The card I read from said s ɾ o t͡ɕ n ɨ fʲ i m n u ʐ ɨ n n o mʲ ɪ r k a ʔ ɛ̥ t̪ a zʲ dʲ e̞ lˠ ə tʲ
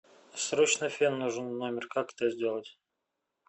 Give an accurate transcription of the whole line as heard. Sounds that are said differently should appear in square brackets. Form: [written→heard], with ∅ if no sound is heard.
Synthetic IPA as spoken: s ɾ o t͡ɕ n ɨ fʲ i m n u ʐ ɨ n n o mʲ ɪ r k a [ʔ→k] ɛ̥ t̪ [a→ə] zʲ dʲ e̞ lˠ ə tʲ